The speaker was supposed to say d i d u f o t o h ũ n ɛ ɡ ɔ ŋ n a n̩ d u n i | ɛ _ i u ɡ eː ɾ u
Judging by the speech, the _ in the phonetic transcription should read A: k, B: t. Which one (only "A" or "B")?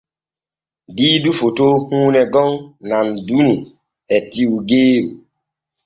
B